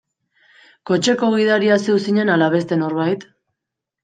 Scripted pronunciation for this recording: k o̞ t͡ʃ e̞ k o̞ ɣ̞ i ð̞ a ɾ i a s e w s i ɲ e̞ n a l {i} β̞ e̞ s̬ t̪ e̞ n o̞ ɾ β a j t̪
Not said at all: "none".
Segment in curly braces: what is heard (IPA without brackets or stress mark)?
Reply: a